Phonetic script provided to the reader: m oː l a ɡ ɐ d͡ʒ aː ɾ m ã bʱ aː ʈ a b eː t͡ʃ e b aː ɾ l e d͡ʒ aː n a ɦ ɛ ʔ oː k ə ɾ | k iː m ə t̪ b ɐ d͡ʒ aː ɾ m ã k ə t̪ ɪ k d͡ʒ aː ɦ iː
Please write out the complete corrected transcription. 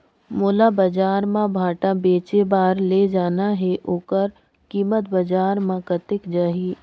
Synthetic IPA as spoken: m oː l a b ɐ d͡ʒ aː ɾ m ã bʱ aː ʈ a b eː t͡ʃ e b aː ɾ l e d͡ʒ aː n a ɦ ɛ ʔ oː k ə ɾ | k iː m ə t̪ b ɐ d͡ʒ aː ɾ m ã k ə t̪ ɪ k d͡ʒ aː ɦ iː

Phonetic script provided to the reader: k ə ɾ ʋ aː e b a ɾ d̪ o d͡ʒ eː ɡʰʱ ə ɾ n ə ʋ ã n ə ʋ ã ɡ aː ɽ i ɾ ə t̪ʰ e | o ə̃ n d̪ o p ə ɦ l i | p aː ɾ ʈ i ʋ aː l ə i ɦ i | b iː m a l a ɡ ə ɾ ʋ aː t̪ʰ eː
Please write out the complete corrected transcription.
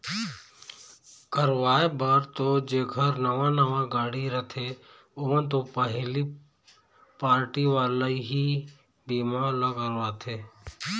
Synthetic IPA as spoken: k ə ɾ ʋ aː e b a ɾ t̪ o d͡ʒ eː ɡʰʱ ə ɾ n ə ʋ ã n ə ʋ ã ɡ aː ɽ i ɾ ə t̪ʰ e | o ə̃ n t̪ o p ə ɦ l i | p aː ɾ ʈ i ʋ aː l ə i ɦ i | b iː m a l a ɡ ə ɾ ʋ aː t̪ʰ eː

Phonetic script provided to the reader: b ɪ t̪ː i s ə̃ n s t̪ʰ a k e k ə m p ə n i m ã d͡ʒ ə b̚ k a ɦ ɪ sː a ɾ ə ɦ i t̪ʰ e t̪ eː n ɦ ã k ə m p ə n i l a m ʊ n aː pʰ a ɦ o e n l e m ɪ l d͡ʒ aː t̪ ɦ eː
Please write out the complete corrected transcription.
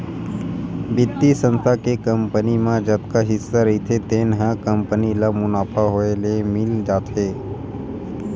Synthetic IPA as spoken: b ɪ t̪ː i s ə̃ n s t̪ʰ a k e k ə m p ə n i m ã d͡ʒ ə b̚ k a ɦ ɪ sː a ɾ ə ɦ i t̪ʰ e t̪ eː n ɦ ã k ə m p ə n i l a m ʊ n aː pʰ a ɦ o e l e m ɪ l d͡ʒ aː t̪ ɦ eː

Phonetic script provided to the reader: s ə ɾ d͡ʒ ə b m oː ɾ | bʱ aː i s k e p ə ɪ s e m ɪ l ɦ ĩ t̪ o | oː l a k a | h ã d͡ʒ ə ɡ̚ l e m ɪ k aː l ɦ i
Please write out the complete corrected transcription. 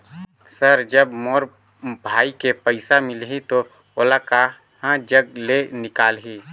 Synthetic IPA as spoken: s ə ɾ d͡ʒ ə b m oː ɾ | bʱ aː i k e p ə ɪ s a m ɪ l ɦ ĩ t̪ o | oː l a k a | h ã d͡ʒ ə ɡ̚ l e n ɪ k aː l ɦ i

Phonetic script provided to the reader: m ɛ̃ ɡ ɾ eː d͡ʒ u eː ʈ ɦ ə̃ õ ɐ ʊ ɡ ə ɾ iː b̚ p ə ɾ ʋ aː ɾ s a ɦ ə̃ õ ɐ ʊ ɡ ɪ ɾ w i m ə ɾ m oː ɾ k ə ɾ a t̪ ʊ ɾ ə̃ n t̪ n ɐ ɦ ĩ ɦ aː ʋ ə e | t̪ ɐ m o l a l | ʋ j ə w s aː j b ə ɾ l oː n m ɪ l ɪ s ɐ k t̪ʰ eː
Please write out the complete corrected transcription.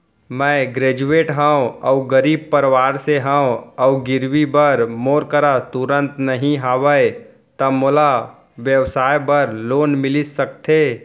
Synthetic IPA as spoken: m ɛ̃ ɡ ɾ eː d͡ʒ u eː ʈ ɦ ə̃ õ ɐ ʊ ɡ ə ɾ iː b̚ p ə ɾ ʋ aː ɾ s e ɦ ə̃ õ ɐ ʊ ɡ ɪ ɾ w i b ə ɾ m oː ɾ k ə ɾ a t̪ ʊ ɾ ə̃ n t̪ n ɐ ɦ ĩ ɦ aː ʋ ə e | t̪ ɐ m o l a | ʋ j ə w s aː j b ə ɾ l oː n m ɪ l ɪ s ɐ k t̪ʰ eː

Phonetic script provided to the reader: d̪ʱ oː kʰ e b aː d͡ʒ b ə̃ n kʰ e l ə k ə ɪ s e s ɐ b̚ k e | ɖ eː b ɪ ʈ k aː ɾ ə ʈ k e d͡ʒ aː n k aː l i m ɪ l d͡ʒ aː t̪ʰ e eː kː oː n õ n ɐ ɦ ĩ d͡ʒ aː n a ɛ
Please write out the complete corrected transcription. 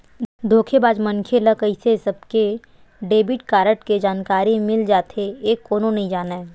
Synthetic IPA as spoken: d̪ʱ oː kʰ e b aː d͡ʒ m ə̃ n kʰ e l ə k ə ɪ s e s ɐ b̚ k e | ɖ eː b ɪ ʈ k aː ɾ ə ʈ k e d͡ʒ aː n k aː ɾ i m ɪ l d͡ʒ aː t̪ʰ e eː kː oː n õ n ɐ ɦ ĩ d͡ʒ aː n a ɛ

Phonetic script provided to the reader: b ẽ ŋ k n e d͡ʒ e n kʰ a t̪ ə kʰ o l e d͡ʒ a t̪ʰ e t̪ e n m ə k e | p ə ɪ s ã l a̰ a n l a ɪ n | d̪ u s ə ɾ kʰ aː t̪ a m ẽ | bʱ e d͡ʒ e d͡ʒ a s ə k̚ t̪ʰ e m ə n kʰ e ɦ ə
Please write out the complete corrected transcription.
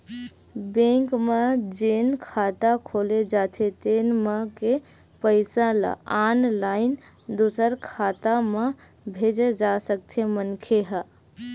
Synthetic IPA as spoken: b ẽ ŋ k m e d͡ʒ e n kʰ a t̪ a kʰ o l e d͡ʒ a t̪ʰ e t̪ e n m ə k e | p ə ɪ s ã l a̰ a n l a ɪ n | d̪ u s ə ɾ kʰ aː t̪ a m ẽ | bʱ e d͡ʒ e d͡ʒ a s ə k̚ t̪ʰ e m ə n kʰ e ɦ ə

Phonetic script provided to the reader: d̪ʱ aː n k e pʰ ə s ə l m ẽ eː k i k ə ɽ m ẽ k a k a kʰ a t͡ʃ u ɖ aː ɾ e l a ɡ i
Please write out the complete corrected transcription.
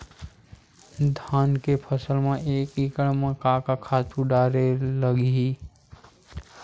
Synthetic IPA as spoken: d̪ʱ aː n k e pʰ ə s ə l m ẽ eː k i k ə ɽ m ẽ k a k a kʰ a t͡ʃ u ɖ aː ɾ e l ə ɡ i

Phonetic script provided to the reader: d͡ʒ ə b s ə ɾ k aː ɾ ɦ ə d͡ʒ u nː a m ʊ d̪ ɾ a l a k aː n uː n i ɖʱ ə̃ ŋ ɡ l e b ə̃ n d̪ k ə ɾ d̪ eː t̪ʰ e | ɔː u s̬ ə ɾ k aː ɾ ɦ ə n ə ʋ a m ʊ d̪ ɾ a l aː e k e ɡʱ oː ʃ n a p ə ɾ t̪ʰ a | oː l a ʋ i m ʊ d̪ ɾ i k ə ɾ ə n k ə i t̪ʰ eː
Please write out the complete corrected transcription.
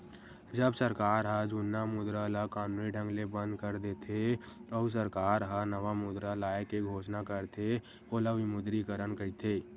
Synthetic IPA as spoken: d͡ʒ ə b s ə ɾ k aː ɾ ɦ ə d͡ʒ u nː a m ʊ d̪ ɾ a l a k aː n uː n i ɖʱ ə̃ ŋ ɡ l e b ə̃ n d̪ k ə ɾ d̪ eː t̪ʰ e | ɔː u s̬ ə ɾ k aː ɾ ɦ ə n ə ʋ a m ʊ d̪ ɾ a l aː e k e ɡʱ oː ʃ n a k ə ɾ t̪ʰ e | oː l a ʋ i m ʊ d̪ ɾ i k ə ɾ ə n k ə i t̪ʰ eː

